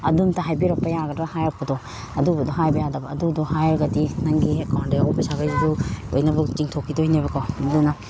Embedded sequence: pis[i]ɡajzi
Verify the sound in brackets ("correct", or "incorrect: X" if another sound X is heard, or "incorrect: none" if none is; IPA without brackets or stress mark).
incorrect: a